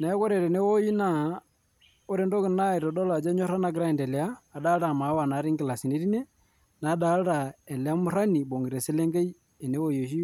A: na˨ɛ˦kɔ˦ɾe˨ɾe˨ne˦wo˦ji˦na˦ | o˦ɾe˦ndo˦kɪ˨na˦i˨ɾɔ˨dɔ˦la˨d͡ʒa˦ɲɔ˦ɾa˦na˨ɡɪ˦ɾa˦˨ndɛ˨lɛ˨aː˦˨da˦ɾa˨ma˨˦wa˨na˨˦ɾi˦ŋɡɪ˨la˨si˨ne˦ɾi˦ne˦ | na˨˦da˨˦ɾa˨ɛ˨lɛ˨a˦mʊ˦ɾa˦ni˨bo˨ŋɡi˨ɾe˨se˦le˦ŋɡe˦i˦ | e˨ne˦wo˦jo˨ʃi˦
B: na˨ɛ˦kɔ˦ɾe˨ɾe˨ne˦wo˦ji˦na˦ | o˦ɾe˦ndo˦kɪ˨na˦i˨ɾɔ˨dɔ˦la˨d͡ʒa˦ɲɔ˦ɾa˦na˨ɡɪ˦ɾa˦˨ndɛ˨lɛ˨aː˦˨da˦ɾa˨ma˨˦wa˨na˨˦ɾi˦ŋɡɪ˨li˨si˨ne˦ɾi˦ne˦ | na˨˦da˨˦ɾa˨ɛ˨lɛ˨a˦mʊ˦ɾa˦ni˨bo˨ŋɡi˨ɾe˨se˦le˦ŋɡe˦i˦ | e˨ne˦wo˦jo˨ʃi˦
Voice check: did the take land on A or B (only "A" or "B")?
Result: A